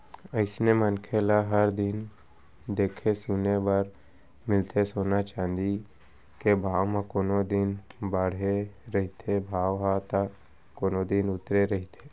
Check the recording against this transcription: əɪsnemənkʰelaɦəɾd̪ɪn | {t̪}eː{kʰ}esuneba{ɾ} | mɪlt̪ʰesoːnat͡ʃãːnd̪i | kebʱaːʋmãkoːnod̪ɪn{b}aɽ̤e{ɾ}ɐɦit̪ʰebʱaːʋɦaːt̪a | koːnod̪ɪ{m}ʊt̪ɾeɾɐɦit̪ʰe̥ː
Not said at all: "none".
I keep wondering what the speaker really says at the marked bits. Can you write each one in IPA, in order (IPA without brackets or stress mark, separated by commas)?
d̪, kʰ, ɾ, b, ɾ, n